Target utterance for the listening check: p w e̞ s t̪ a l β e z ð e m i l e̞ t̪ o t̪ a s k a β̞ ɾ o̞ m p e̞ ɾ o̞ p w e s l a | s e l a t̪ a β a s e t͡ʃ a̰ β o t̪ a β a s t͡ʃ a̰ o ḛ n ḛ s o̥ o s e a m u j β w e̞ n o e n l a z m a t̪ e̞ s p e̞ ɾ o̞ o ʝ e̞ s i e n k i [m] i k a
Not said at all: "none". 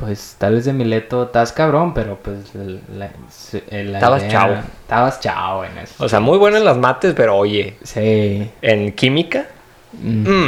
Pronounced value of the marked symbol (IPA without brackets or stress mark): m